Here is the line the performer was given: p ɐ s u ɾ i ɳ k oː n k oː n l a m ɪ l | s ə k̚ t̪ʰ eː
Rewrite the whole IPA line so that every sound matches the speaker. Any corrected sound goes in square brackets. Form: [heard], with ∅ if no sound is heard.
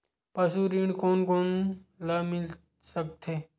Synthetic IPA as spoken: p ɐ s u ɾ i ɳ k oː n k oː n l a m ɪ l | s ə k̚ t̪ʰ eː